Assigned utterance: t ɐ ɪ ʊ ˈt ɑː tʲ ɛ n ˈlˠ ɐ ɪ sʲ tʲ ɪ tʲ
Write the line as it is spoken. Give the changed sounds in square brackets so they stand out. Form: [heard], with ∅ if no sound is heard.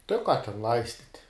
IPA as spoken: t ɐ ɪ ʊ [ˈk] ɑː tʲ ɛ n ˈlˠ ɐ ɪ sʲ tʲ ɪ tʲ